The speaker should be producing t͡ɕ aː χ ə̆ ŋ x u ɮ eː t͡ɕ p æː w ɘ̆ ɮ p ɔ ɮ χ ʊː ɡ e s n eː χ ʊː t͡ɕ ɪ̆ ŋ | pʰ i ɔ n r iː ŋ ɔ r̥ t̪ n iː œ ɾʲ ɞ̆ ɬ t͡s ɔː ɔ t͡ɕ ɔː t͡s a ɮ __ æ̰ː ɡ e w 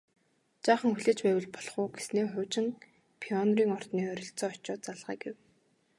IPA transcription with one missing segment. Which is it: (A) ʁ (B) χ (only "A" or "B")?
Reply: A